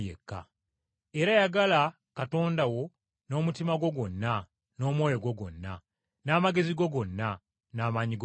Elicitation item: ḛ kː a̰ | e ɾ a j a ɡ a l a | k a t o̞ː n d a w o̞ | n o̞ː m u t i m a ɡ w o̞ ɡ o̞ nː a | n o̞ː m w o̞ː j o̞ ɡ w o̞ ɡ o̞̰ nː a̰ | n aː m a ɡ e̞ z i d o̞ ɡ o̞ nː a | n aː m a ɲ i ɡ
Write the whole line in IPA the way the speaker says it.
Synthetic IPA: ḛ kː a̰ | e ɾ a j a ɡ a l a | k a t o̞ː n d a w o̞ | n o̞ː m u t i m a ɡ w o̞ ɡ o̞ nː a | n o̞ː m w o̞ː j o̞ ɡ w o̞ ɡ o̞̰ nː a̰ | n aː m a ɡ e̞ z i ɡ o̞ ɡ o̞ nː a | n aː m a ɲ i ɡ